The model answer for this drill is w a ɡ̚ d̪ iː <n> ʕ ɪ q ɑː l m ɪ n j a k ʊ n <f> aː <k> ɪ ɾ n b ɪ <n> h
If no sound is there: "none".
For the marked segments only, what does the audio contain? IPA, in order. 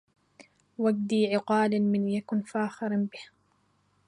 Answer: none, f, x, none

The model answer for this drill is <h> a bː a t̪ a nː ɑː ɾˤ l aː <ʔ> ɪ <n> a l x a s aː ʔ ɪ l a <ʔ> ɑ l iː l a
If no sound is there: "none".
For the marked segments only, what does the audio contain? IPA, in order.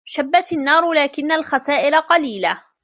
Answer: ʃ, k, nː, q

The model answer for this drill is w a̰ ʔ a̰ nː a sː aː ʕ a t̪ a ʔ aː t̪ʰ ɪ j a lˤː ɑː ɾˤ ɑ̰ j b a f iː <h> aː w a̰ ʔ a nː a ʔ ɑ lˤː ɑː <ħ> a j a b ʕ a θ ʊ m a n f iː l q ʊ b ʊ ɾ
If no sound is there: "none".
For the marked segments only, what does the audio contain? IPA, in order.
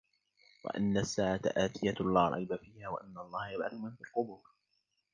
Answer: h, h

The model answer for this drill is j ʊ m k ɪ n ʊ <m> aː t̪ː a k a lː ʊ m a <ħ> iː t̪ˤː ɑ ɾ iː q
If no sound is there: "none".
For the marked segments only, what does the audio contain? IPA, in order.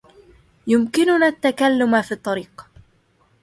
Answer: n, f

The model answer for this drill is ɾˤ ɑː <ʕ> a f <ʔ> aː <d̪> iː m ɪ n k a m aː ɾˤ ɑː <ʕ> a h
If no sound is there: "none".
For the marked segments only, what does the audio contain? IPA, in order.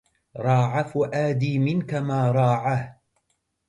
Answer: ʕ, ʔ, d̪, ʕ

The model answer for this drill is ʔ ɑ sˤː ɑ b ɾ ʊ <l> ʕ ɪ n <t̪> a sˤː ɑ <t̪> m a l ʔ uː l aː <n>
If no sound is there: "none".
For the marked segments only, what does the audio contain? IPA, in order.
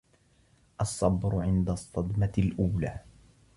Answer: none, d̪, d̪, none

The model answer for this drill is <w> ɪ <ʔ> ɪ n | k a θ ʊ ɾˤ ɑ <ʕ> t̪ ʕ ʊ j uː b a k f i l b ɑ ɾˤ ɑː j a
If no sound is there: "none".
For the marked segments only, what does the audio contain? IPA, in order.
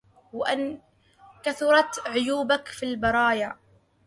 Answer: w, ʔ, none

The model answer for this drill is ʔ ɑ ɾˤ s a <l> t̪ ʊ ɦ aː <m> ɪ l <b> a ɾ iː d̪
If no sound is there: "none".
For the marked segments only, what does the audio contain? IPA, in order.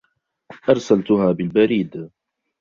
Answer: l, b, b

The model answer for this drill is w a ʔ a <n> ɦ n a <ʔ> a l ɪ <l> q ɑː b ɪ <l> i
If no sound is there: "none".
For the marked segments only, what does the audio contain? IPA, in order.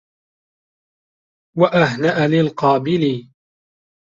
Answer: none, ʔ, l, l

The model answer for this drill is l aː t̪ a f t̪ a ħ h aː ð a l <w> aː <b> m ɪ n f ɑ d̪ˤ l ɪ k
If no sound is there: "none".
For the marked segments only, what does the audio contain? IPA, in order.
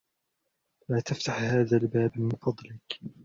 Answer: b, b

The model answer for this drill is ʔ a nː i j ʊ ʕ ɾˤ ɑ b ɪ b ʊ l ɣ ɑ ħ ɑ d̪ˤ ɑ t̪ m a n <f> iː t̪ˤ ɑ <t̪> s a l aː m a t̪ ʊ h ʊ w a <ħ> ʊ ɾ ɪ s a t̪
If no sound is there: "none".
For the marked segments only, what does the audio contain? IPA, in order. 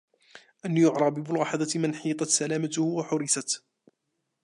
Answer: ħ, t̪, ħ

